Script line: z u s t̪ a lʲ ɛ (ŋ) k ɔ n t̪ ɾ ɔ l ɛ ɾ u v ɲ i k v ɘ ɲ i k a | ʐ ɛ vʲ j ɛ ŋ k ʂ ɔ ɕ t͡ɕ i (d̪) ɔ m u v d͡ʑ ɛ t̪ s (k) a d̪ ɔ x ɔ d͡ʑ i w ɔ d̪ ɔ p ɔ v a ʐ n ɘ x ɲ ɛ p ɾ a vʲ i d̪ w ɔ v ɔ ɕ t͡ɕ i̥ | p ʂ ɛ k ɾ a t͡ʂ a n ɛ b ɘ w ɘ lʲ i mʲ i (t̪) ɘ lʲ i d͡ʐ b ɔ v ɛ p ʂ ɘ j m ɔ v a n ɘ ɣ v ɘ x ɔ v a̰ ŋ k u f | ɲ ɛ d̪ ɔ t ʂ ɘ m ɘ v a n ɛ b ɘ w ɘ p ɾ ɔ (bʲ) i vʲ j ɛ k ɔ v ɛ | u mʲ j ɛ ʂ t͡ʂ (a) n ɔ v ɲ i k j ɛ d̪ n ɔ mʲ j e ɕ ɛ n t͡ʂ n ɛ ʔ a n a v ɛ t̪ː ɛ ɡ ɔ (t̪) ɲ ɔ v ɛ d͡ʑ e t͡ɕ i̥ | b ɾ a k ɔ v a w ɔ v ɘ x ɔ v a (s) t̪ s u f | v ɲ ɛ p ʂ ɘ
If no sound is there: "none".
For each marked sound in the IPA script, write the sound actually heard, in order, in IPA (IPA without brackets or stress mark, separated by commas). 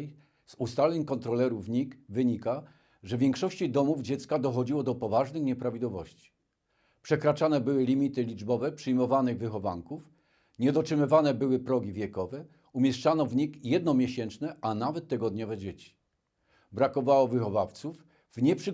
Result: ɲ, d̪, k, t̪, ɡʲ, a, d̪, f